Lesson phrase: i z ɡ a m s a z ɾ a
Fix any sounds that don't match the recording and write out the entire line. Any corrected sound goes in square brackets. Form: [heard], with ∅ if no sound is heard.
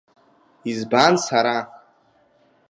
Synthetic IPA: i z [b] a [n] s a [∅] ɾ a

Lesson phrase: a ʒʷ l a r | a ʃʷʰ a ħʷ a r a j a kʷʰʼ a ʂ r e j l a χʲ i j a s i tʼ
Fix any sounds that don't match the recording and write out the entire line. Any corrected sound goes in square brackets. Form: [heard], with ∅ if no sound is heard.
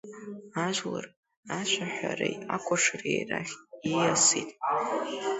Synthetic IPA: a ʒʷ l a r | a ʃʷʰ a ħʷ a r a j a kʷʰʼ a ʂ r e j [r] a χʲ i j a s i tʼ

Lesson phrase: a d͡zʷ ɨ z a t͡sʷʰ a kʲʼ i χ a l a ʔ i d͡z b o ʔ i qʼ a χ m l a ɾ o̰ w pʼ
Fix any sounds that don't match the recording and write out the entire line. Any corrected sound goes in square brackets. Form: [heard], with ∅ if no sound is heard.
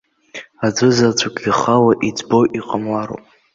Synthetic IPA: a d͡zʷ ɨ z a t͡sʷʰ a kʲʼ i χ a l a ʔ i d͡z b o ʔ i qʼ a [∅] m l a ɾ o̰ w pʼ

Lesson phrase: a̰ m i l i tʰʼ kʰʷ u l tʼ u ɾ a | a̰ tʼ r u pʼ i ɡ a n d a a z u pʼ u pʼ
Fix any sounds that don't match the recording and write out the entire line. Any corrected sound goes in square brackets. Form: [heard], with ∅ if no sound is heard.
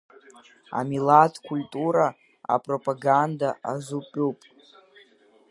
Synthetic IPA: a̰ m i l [a] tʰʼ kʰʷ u l tʼ u ɾ a | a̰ [pʼ] r [o] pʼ [a] ɡ a n d a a z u pʼ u pʼ

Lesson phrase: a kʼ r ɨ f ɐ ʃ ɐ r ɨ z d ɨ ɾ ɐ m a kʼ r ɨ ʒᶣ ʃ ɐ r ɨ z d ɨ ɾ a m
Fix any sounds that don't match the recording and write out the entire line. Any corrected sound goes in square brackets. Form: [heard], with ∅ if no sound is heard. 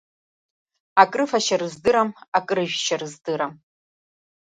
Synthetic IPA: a kʼ r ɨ f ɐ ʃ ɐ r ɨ z d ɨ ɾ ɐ m a kʼ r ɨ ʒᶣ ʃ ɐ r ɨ z d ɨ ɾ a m

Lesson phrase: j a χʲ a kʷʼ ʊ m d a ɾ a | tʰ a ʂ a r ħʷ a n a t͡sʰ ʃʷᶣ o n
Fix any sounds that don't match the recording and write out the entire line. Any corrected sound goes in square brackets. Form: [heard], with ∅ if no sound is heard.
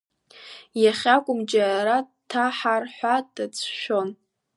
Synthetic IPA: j a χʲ a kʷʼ ʊ m [d͡ʒ] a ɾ a | tʰ a [ħ] a r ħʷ a [d] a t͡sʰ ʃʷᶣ o n

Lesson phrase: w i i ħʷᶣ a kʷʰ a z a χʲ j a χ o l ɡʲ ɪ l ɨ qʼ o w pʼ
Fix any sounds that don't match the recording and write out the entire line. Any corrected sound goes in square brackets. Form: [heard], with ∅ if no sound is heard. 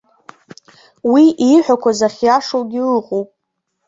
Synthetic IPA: w i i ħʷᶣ a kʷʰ a z a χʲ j a [ʂ] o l ɡʲ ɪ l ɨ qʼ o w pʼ

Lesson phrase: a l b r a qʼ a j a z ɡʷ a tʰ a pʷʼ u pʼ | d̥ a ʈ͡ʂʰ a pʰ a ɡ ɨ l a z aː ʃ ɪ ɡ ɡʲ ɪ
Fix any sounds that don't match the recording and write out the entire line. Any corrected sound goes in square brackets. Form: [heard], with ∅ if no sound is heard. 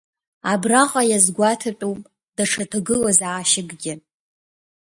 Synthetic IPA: a [∅] b r a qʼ a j a z ɡʷ a tʰ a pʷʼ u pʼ | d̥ a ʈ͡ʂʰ a [tʰ] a ɡ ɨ l a z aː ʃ ɪ ɡ ɡʲ ɪ

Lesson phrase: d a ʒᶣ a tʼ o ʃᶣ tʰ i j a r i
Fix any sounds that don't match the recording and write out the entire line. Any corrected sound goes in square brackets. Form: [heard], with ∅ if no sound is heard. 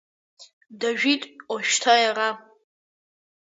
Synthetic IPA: d a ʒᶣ [i] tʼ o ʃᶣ tʰ [a] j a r [a]

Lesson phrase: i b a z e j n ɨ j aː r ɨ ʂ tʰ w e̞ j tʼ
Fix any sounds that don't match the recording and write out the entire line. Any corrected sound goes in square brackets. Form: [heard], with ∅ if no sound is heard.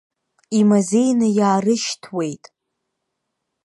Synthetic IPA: i [m] a z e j n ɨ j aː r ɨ [ʃ] tʰ w e̞ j tʼ

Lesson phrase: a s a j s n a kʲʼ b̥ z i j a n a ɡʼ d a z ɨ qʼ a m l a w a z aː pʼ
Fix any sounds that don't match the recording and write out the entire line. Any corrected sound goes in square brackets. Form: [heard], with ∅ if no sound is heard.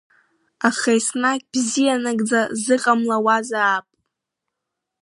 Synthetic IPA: a [χ] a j s n a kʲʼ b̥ z i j a n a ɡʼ [d͡z] a z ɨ qʼ a m l a w a z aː pʼ

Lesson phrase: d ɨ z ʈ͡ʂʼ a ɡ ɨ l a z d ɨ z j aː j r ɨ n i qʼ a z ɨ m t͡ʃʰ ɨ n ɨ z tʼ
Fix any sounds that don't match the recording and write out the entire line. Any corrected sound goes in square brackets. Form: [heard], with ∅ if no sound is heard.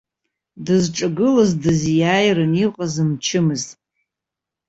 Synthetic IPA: d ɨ z ʈ͡ʂʼ a ɡ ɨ l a z d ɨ z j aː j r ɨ n i qʼ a z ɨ m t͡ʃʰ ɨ [m] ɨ z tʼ

